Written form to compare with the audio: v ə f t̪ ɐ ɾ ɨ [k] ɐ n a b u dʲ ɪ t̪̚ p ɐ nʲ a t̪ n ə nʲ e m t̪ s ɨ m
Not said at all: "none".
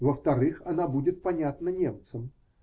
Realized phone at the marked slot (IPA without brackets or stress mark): x